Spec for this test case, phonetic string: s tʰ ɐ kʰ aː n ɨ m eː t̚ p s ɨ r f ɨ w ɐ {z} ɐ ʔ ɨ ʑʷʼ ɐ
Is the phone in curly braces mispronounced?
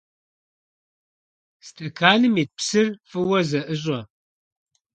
no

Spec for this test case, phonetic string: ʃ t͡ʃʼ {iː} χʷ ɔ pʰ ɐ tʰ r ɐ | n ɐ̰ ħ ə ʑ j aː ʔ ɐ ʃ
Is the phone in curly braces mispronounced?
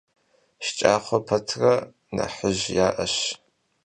yes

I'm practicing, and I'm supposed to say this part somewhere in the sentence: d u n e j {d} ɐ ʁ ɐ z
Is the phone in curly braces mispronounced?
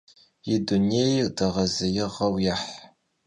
no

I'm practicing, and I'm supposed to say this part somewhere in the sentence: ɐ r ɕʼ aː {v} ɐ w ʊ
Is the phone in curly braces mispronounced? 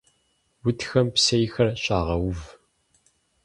yes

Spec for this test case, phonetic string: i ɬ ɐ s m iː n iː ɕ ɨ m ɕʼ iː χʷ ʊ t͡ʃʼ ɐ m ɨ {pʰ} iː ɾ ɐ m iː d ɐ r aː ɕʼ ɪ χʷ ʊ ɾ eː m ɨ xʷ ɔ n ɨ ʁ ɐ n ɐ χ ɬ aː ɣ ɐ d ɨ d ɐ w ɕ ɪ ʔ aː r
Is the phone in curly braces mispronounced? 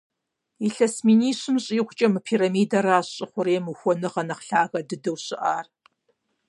no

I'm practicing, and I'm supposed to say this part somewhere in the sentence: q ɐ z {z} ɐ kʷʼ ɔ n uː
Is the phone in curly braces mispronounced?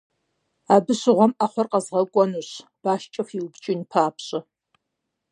yes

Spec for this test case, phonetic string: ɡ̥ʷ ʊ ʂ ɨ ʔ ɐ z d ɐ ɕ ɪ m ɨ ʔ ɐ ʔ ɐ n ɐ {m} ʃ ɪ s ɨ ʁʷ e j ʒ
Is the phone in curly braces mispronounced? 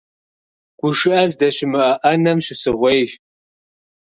no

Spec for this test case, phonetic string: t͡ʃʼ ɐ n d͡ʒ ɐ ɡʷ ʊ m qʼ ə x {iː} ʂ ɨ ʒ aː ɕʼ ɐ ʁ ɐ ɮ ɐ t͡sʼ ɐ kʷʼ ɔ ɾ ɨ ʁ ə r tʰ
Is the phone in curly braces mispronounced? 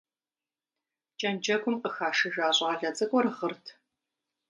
yes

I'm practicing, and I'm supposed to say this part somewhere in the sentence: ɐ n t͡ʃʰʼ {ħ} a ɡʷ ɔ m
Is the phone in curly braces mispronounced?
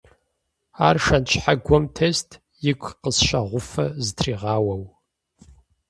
no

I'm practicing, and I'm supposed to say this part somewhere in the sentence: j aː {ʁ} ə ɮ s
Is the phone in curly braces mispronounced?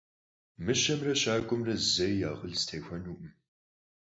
no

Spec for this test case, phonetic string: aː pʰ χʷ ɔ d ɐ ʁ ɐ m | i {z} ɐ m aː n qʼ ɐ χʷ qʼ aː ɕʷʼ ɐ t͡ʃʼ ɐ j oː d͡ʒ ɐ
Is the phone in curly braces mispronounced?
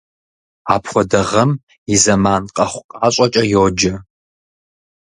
no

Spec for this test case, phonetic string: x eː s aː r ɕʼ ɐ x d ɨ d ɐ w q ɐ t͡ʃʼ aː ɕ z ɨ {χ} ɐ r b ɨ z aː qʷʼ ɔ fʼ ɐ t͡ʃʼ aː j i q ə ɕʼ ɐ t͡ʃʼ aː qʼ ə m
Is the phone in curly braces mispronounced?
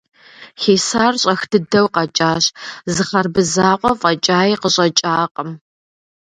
no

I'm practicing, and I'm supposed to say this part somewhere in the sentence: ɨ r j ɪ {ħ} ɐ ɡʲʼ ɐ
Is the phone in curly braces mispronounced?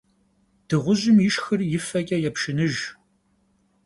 yes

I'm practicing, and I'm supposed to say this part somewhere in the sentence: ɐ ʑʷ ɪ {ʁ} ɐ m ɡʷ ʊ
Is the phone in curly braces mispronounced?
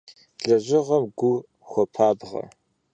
no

